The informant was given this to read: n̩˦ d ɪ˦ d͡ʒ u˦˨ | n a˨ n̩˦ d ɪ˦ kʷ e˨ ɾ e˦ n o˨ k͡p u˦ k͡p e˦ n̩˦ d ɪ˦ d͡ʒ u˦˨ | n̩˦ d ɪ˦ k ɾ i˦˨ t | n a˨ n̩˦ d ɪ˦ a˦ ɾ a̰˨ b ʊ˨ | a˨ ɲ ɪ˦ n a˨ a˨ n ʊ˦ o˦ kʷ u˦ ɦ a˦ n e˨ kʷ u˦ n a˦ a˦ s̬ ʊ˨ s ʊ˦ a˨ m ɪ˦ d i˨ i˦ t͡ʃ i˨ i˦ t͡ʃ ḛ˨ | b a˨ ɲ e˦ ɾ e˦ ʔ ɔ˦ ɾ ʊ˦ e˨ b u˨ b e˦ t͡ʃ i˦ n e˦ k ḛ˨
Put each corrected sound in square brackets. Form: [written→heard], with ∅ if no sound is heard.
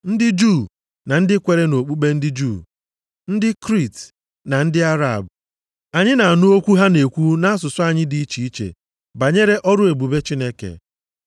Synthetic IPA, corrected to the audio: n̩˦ d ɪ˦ d͡ʒ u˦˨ | n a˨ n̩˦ d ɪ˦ kʷ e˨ ɾ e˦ n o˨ k͡p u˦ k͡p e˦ n̩˦ d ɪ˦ d͡ʒ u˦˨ | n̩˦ d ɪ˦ k ɾ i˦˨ t | n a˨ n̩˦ d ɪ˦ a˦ ɾ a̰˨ b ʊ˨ | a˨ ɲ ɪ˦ n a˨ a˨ n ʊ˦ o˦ kʷ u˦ ɦ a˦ n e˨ kʷ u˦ n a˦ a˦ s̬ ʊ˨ s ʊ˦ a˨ [m→ɲ] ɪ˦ d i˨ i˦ t͡ʃ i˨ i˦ t͡ʃ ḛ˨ | b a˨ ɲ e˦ ɾ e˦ ʔ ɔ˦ ɾ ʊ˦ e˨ b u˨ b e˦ t͡ʃ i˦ n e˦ k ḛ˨